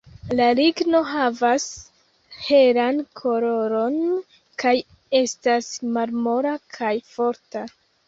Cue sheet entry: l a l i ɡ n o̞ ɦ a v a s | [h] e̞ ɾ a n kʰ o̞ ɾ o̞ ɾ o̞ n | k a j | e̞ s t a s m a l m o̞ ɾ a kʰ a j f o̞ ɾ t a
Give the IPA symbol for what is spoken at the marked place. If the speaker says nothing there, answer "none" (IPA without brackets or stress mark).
h